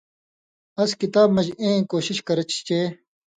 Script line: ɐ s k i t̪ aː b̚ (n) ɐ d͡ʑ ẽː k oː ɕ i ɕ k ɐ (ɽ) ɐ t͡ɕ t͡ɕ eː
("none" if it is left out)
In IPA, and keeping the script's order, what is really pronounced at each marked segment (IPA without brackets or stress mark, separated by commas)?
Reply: m, ɾ